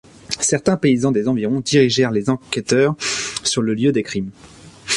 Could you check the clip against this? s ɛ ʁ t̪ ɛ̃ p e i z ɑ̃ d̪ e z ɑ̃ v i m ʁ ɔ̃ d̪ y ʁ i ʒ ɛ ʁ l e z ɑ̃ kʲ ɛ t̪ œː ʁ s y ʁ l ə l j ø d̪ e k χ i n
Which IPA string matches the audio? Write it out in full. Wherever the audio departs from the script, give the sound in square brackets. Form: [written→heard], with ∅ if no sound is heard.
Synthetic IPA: s ɛ ʁ t̪ ɛ̃ p e i z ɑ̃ d̪ e z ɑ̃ v i [m→∅] ʁ ɔ̃ d̪ [y→i] ʁ i ʒ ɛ ʁ l e z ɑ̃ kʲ ɛ t̪ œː ʁ s y ʁ l ə l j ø d̪ e k χ i [n→m]